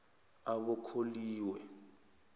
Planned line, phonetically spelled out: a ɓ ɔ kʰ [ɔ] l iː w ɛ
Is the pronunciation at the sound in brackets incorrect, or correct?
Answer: incorrect